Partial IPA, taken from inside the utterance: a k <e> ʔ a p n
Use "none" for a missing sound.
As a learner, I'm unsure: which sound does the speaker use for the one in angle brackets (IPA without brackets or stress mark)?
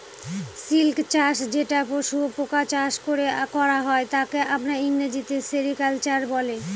e